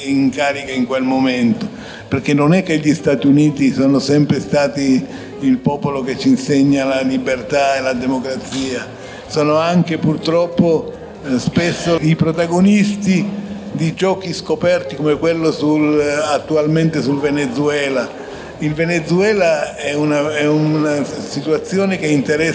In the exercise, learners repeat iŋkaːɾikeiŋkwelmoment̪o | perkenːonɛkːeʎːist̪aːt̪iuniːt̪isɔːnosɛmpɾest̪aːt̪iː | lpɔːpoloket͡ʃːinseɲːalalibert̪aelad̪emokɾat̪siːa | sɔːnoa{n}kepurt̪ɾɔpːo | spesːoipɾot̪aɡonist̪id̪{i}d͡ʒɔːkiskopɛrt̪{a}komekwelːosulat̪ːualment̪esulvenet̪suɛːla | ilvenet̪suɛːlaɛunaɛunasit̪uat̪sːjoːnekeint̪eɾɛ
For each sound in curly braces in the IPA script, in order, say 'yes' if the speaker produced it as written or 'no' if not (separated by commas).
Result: no, yes, no